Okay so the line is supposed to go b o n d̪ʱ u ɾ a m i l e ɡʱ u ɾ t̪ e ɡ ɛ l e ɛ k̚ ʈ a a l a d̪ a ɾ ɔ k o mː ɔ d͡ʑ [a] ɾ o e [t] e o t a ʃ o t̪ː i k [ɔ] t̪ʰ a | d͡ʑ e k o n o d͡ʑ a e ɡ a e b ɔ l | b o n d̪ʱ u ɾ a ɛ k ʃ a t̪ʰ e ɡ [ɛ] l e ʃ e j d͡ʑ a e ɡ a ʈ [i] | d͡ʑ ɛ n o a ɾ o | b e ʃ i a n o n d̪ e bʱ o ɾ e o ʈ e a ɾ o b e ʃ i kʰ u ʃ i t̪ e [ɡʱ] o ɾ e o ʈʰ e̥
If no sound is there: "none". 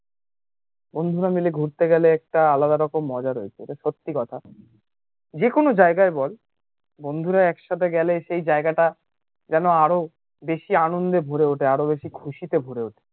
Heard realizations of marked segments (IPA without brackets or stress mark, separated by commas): a, t͡ɕʰ, ɔ, ɛ, a, bʱ